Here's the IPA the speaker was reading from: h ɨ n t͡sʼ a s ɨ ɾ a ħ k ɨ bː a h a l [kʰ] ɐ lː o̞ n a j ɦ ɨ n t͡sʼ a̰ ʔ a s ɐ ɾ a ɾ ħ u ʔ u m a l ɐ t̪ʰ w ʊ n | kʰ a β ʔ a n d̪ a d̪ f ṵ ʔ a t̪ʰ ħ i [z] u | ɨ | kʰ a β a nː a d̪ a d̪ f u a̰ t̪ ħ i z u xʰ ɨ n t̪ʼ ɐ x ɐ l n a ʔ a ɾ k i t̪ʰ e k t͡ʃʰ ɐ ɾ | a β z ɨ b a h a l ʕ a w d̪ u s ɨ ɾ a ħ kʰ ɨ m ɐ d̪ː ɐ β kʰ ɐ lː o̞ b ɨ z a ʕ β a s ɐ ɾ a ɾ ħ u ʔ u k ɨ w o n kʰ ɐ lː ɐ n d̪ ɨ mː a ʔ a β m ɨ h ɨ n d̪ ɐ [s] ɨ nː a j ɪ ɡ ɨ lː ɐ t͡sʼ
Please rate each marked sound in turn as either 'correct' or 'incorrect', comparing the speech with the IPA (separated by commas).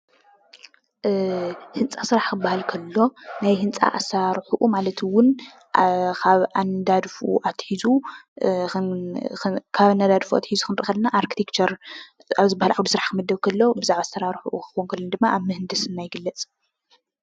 correct, correct, correct